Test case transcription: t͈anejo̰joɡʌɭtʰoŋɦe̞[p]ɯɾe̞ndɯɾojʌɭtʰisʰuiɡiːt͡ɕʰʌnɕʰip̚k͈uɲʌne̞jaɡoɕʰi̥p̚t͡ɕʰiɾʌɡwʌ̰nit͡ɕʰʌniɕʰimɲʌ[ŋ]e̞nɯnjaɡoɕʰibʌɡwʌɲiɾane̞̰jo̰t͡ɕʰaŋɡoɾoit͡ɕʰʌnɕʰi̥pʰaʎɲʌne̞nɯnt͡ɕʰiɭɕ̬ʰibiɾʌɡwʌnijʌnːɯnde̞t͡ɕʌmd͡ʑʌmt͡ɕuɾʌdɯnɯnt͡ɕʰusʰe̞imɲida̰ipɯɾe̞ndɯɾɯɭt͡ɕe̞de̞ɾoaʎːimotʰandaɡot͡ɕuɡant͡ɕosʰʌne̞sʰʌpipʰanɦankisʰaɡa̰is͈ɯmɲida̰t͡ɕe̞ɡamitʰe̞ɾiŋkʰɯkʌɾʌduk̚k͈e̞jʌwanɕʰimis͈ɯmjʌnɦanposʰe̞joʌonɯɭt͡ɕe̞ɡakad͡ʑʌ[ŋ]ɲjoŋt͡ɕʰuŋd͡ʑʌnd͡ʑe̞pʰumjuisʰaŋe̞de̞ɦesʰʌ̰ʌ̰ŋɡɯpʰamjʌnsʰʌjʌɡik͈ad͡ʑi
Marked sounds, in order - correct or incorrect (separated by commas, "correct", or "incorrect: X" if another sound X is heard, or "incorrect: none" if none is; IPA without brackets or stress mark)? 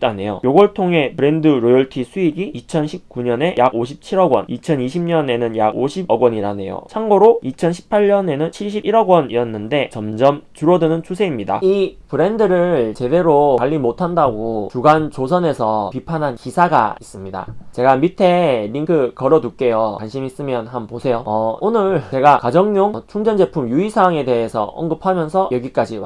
correct, incorrect: n, correct